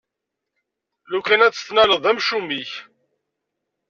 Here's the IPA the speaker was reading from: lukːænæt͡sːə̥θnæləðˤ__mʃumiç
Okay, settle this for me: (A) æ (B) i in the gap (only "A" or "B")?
A